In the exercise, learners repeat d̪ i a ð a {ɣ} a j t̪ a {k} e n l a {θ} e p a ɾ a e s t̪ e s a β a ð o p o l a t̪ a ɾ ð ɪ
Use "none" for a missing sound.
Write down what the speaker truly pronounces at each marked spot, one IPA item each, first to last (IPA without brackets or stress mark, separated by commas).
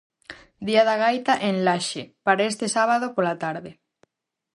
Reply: ɣ, ʔ, ʃ